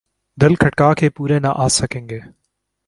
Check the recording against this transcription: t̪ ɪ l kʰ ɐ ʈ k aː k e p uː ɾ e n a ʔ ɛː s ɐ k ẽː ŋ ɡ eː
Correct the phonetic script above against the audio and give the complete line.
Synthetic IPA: d̪ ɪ l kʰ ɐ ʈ k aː k e p uː ɾ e n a ʔ aː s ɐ k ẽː ŋ ɡ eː

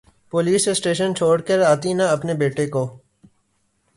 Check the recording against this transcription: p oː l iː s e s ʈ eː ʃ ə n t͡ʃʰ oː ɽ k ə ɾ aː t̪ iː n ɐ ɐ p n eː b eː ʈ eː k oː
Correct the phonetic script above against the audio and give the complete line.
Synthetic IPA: p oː l iː s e s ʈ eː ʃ ə n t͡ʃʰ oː ɽ k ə ɾ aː t̪ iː n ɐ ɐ p n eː b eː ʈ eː k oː

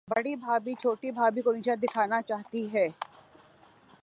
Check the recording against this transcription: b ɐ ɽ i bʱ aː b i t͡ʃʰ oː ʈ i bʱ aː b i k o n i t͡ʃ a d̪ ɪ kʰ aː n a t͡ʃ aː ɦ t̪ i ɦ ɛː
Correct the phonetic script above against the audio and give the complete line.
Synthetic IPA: b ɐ ɽ i bʱ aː b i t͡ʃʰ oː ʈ i bʱ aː b i k o n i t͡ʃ a d̪ ɪ kʰ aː n a t͡ʃ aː ɦ t̪ i ɦ ɛː

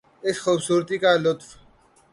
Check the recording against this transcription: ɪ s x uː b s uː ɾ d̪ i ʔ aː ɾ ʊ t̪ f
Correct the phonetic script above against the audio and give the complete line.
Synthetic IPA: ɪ s x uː b s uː ɾ t̪ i k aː l ʊ t̪ f

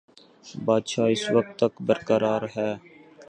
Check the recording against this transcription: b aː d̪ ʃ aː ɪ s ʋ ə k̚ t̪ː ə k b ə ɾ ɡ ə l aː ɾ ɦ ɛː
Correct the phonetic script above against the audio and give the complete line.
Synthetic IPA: b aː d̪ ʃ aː ɪ s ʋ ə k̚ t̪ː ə k b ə ɾ k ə ɾ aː ɾ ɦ ɛː

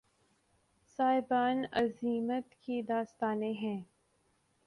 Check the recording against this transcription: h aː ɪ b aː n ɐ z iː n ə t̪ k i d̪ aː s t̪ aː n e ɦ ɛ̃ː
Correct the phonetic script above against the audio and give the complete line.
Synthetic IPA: s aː ɪ b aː n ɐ z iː m ə t̪ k i d̪ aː s t̪ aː n e ɦ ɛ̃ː

